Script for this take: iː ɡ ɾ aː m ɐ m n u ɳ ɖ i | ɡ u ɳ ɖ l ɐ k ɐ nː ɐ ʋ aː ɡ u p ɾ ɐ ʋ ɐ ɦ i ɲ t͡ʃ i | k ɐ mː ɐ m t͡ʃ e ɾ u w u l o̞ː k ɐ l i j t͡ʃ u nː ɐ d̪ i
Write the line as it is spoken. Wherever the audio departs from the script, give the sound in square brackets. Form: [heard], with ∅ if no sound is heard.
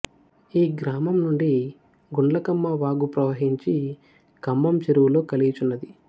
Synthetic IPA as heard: iː ɡ ɾ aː m ɐ m n u ɳ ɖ i | ɡ u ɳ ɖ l ɐ k ɐ [mː] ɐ ʋ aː ɡ u p ɾ ɐ ʋ ɐ ɦ i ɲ t͡ʃ i | k ɐ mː ɐ m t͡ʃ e ɾ u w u l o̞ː k ɐ l i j t͡ʃ u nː ɐ d̪ i